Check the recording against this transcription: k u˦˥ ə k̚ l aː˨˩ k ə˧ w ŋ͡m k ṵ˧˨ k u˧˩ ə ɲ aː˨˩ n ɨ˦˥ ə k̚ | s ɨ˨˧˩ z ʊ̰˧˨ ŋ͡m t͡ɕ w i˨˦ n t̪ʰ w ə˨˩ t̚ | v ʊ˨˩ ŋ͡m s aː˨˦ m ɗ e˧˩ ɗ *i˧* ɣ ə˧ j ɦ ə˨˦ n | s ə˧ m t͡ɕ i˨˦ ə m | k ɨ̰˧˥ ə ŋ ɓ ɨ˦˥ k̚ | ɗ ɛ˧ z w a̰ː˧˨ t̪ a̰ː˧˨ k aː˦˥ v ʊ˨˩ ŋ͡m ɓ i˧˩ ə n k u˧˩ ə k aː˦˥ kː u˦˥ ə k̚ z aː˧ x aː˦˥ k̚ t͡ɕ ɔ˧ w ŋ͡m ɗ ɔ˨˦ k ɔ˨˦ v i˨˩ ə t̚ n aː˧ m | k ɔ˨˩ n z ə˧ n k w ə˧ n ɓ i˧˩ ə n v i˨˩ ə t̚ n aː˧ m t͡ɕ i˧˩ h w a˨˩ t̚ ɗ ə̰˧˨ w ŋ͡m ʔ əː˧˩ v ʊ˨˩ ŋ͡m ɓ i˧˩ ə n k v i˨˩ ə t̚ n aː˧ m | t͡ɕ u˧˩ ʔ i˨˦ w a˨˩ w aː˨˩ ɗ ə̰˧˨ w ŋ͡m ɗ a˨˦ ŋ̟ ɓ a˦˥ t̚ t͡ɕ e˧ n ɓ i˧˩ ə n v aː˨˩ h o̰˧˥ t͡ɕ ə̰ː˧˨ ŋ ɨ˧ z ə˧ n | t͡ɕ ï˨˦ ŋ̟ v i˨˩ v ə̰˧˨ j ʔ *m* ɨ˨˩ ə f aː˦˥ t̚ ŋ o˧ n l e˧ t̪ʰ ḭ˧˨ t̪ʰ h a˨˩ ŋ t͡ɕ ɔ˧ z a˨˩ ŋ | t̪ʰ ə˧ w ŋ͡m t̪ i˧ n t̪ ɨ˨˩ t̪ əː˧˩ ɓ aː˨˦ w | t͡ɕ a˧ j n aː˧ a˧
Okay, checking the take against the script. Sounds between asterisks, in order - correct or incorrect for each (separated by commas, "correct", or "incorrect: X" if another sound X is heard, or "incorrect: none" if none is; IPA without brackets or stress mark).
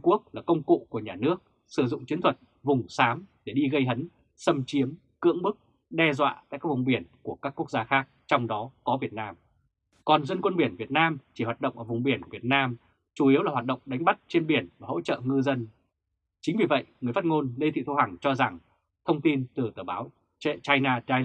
correct, incorrect: ŋ